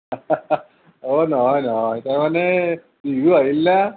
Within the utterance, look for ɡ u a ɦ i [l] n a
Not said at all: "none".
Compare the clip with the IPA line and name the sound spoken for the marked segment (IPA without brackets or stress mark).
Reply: l